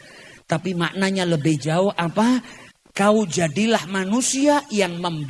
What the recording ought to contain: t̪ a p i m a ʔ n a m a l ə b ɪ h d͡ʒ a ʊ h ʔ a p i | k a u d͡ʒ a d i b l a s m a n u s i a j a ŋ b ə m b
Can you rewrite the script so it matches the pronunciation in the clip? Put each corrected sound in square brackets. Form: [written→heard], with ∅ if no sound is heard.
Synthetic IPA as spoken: t̪ a p i m a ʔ n a [m→ɲ] a l ə b ɪ h d͡ʒ a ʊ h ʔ a p [i→a] | k a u d͡ʒ a d i [b→∅] l a [s→h] m a n u s i a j a ŋ [b→m] ə m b